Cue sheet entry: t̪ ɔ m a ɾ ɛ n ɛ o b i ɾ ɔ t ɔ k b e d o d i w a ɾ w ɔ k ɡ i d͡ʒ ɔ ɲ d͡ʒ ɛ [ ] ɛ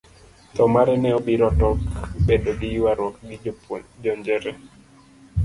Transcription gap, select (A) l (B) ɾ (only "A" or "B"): B